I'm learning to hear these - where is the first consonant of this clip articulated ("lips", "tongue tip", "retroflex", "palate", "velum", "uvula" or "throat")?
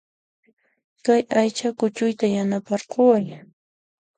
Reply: velum